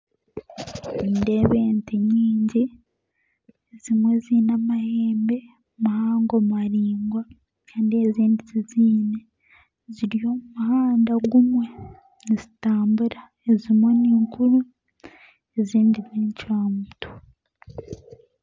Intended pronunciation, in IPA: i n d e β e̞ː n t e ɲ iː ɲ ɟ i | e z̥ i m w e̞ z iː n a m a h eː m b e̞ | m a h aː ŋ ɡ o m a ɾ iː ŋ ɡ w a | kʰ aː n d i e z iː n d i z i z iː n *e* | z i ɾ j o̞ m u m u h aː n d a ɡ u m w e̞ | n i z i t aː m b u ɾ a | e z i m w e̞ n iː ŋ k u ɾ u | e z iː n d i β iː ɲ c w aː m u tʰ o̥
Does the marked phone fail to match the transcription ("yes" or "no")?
no